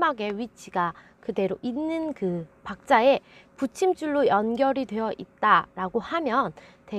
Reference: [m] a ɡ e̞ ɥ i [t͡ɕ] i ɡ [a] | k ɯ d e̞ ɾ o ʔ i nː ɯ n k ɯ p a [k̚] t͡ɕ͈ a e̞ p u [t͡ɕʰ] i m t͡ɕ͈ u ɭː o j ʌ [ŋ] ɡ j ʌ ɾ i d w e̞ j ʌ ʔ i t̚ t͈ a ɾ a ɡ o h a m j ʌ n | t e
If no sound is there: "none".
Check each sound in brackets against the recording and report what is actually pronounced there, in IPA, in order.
m, t͡ɕʰ, a, k̚, t͡ɕʰ, n

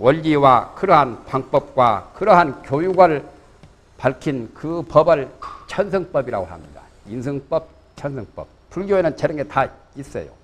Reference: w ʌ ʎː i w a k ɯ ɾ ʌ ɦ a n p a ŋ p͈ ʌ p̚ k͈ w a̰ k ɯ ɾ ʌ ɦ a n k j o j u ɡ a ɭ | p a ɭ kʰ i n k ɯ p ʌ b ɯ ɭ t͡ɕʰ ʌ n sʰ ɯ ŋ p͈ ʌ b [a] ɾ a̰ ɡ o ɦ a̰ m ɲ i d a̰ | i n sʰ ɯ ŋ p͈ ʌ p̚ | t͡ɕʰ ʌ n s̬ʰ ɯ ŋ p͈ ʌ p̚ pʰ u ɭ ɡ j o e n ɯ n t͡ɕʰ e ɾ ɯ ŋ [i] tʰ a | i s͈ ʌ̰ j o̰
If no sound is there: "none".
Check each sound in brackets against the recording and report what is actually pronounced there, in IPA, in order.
i, e

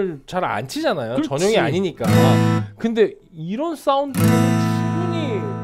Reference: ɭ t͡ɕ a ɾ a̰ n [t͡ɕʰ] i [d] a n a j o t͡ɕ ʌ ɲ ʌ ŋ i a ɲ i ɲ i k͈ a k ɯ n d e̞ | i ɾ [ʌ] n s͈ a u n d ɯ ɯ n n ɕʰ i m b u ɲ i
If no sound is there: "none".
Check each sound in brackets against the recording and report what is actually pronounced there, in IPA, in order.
t͡ɕʰ, d͡ʑ, ʌ

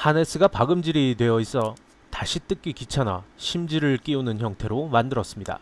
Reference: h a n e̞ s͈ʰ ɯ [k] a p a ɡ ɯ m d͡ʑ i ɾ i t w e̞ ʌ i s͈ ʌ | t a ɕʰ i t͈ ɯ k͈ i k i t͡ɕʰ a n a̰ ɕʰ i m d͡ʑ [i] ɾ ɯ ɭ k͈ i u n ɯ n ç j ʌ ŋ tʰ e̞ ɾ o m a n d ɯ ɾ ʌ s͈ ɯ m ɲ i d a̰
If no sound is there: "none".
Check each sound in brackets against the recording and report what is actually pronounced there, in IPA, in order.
ɡ, i

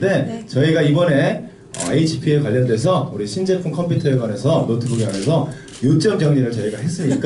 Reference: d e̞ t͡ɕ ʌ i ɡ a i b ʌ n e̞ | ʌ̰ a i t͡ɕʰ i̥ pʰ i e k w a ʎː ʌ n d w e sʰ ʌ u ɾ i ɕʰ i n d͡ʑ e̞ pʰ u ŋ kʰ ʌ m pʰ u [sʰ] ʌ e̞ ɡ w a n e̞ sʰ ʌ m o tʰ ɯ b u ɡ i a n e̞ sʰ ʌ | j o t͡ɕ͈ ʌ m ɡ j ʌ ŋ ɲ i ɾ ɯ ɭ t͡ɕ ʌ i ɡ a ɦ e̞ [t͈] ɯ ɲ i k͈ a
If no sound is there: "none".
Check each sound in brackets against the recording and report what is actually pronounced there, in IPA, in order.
tʰ, s͈

